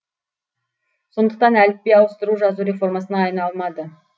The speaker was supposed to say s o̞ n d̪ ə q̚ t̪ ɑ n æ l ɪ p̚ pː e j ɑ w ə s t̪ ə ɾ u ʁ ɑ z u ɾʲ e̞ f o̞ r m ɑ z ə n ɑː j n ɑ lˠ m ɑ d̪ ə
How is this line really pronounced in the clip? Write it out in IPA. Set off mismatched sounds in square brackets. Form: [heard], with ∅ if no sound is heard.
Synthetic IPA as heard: s o̞ n d̪ ə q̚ t̪ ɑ n æ l ɪ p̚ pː e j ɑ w ə s t̪ ə ɾ u [ʒ] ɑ z u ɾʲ e̞ f o̞ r m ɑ [s] ə n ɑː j n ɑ lˠ m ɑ d̪ ə